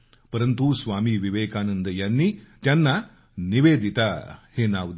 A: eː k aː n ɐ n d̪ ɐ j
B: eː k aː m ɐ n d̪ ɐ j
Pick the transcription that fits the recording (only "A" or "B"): A